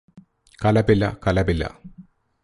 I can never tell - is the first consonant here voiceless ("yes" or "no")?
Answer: yes